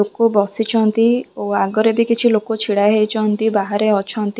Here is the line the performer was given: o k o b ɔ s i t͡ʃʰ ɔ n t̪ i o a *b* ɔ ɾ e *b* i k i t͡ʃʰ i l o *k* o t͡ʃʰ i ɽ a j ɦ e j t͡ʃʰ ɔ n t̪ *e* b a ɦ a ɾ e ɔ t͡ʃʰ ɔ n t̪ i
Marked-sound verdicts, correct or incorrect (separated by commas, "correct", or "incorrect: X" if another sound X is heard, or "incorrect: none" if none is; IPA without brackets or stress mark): incorrect: ɡ, correct, correct, incorrect: i